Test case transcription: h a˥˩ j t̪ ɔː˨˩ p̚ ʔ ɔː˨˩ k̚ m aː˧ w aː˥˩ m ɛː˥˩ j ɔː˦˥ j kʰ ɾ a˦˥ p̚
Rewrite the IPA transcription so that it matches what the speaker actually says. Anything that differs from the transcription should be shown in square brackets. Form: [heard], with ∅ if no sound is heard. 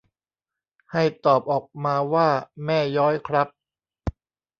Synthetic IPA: h a˥˩ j t̪ ɔː˨˩ p̚ ʔ ɔː˨˩ k̚ m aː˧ w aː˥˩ m ɛː˥˩ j ɔː˦˥ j kʰ ɾ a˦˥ p̚